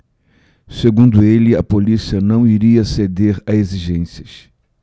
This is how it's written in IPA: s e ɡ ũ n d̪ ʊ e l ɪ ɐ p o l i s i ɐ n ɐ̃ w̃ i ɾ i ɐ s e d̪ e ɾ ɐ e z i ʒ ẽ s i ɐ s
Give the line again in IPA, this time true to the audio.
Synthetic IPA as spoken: s e ɡ ũ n d̪ ʊ e l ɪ ɐ p o l i s i ɐ n ɐ̃ w̃ i ɾ i ɐ s e d̪ e ɾ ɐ e z i ʒ ẽ s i ɐ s